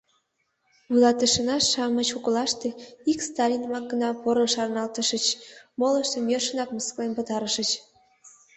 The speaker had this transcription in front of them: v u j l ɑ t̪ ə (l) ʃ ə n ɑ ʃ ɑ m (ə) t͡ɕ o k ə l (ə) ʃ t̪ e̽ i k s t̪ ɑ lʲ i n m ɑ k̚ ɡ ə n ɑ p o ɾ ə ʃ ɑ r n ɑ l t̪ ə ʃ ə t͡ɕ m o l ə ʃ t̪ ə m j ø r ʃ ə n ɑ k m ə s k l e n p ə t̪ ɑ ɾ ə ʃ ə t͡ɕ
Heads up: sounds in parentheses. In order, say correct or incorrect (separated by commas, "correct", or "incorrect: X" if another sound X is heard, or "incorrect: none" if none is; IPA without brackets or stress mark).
incorrect: none, correct, incorrect: ɑ